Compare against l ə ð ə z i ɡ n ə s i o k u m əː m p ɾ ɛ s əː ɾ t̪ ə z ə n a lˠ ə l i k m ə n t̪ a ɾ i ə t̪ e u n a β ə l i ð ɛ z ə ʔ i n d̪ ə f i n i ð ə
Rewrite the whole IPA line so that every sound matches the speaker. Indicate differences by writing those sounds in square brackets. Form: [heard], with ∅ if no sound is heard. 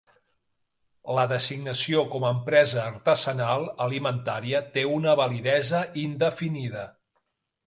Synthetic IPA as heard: l ə ð ə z i ɡ n ə s i o k [ɔ] m əː m p ɾ ɛ [z] əː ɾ t̪ ə z ə n a lˠ ə l i [∅] m ə n t̪ a ɾ i ə t̪ e u n [ə] β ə l i ð ɛ z ə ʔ i n d̪ ə f i n i ð ə

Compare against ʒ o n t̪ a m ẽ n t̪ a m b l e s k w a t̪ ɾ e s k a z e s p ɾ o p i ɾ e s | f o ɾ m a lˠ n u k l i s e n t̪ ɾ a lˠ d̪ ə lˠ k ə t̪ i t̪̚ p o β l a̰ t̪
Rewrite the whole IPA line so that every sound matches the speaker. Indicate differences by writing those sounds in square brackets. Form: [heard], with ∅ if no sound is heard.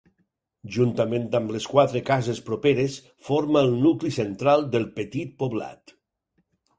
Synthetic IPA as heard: ʒ [u] n t̪ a m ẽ n t̪ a m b l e s k w a t̪ ɾ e [∅] k a z e s p ɾ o p [e] ɾ e s | f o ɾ m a lˠ n u k l i s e n t̪ ɾ a lˠ d̪ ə lˠ [p] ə t̪ i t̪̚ p o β l a̰ t̪

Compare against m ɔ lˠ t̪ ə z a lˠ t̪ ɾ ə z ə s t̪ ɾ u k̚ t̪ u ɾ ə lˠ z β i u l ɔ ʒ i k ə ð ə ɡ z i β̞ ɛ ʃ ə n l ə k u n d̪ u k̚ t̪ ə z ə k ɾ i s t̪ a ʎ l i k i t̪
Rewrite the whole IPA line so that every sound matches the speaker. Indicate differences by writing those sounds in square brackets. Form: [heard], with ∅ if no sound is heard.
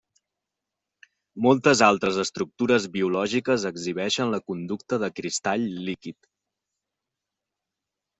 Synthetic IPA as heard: m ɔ lˠ t̪ ə z a lˠ t̪ ɾ ə z ə s t̪ ɾ u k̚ t̪ u ɾ ə [∅] z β i u l ɔ ʒ i k ə [z] ə ɡ z i β̞ ɛ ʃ ə n l ə k u n d̪ u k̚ t̪ ə [ð] ə k ɾ i s t̪ a ʎ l i k i t̪

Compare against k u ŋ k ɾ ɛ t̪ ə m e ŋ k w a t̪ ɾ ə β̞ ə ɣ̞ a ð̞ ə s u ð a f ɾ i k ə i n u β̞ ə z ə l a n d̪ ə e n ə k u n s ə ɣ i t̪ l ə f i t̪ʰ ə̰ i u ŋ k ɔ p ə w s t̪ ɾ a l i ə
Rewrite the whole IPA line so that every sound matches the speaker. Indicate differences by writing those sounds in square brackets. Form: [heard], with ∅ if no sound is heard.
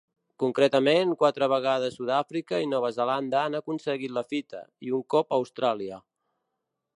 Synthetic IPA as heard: k u ŋ k ɾ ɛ t̪ ə m e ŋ k w a t̪ ɾ ə β̞ ə ɣ̞ a ð̞ ə s u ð a f ɾ i k ə i n [ɔ] β̞ ə z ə l a n d̪ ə [a] n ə k u n s ə ɣ i t̪ l ə f i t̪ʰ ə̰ i u ŋ k ɔ p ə w s t̪ ɾ a l i ə

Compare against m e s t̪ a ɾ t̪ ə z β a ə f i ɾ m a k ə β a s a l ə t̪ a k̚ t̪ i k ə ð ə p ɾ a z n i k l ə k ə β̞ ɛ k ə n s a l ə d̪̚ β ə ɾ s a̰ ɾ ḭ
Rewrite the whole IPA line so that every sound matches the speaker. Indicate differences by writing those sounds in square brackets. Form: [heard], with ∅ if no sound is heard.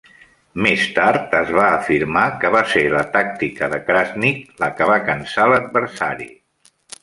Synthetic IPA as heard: m e s t̪ a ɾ t̪ ə z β a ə f i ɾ m a k ə β a s [e] l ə t̪ a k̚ t̪ i k ə ð ə [k] ɾ a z n i k l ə k ə β̞ [a] k ə n s a l ə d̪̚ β ə ɾ s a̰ ɾ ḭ

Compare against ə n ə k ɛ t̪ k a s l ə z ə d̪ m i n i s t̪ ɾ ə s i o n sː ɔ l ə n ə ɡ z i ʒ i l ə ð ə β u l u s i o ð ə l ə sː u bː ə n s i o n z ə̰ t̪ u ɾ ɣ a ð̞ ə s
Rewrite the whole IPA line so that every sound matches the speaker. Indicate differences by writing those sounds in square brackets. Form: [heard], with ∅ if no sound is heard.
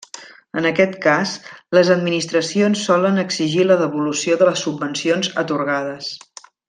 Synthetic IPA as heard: ə n ə k ɛ t̪ k a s l ə z ə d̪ m i n i s t̪ ɾ ə s i o n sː ɔ l ə n ə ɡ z i ʒ i l ə ð ə β u l u s i o ð ə l ə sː u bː ə n s i o n z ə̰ t̪ u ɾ ɣ a ð̞ ə s

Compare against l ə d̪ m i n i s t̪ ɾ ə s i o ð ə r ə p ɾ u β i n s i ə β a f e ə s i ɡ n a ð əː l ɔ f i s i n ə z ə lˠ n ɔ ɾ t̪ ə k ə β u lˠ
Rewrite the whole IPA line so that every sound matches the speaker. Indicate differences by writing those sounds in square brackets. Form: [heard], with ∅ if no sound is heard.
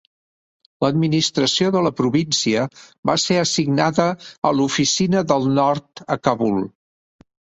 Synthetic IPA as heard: l ə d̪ m i n i s t̪ ɾ ə s i o ð ə [l] ə p ɾ u β i n s i ə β a [s] e ə s i ɡ n a ð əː l [u] f i s i n ə [ð] ə lˠ n ɔ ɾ t̪ ə k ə β u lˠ

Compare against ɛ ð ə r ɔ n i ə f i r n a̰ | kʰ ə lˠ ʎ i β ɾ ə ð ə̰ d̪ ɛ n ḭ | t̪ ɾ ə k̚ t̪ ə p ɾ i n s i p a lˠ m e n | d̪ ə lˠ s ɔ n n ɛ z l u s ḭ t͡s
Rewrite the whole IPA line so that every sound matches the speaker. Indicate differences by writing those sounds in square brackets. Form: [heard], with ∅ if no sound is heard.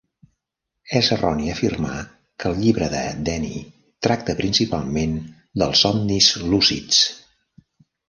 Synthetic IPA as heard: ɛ [z] ə r ɔ n i ə f i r [m] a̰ | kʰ ə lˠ ʎ i β ɾ ə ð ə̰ d̪ ɛ n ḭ | t̪ ɾ [a] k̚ t̪ ə p ɾ i n s i p a lˠ m e n | d̪ ə lˠ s ɔ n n [i] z l u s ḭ t͡s

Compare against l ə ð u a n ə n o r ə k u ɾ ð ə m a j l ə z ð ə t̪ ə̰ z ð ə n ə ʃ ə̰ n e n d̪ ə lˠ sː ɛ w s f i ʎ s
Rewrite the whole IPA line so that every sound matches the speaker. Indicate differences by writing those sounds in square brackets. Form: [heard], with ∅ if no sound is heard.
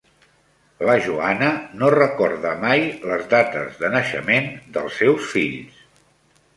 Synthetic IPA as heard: l ə [ʒ] u a n ə n o r ə k [ɔ] ɾ ð ə m a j l ə z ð [a] t̪ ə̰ z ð ə n ə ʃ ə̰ [m] e n d̪ ə lˠ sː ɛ w s f i ʎ s

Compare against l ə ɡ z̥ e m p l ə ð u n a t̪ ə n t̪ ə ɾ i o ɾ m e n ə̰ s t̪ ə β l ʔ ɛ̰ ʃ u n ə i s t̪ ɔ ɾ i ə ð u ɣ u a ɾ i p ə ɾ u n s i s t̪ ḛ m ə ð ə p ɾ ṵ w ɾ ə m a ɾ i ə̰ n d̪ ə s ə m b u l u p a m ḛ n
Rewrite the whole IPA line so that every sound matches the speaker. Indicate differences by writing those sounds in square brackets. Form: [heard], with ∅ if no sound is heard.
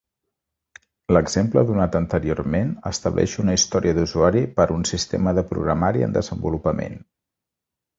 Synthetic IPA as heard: l ə ɡ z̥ e m p l ə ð u n a t̪ ə n t̪ ə ɾ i o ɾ m e n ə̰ s t̪ ə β l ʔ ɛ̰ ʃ u n ə i s t̪ ɔ ɾ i ə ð u [z] u a ɾ i p ə ɾ u n s i s t̪ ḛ m ə ð ə p ɾ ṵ [ɣ] ɾ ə m a ɾ i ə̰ n d̪ ə [z] ə m b u l u p [ə] m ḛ n

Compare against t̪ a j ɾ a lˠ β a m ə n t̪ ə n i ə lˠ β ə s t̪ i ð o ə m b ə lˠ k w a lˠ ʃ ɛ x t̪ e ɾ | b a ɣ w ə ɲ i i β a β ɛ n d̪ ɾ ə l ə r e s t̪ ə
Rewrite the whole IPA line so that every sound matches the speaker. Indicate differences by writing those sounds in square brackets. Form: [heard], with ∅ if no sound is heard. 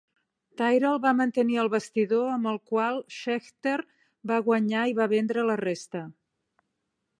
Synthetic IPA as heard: t̪ a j ɾ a lˠ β a m ə n t̪ ə n i ə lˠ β ə s t̪ i ð o ə m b ə lˠ k w a lˠ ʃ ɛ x t̪ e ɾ | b a ɣ w ə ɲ [a] i β a β ɛ n d̪ ɾ ə l ə r e s t̪ ə

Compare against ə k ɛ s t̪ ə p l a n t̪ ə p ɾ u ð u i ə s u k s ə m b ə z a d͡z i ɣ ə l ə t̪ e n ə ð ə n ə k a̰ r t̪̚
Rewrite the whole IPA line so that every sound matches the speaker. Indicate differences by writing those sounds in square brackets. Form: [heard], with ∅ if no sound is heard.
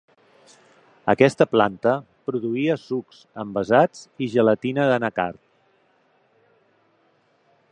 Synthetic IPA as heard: ə k ɛ s t̪ ə p l a n t̪ ə p ɾ u ð u i ə s u k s ə m b ə z a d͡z i [ʒ] ə l ə t̪ [i] n ə ð ə n ə k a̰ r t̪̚

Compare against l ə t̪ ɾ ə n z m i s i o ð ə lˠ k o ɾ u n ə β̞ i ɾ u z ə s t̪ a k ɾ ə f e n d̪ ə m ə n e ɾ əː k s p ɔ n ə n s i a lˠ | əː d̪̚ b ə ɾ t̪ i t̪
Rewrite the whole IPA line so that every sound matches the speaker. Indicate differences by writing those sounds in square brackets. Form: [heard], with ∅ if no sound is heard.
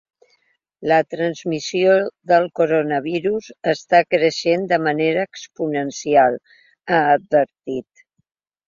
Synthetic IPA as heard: l ə t̪ ɾ ə n z m i s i o ð ə lˠ k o ɾ [o] n ə β̞ i ɾ u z ə s t̪ a k ɾ ə [ʃ] e n d̪ ə m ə n e ɾ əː k s p [u] n ə n s i a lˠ | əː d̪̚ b ə ɾ t̪ i t̪

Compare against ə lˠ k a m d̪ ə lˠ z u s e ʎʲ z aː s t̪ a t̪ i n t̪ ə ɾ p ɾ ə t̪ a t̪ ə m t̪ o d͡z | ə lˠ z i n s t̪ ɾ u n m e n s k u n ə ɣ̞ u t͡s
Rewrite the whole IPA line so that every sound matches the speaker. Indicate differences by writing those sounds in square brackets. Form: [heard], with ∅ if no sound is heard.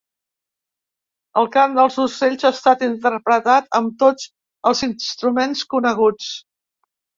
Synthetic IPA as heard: ə lˠ k a m d̪ ə lˠ z u s e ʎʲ z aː s t̪ a t̪ i n t̪ ə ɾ p ɾ ə t̪ a t̪ ə m t̪ o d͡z | ə lˠ z i n s t̪ ɾ u [∅] m e n s k u n ə ɣ̞ u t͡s

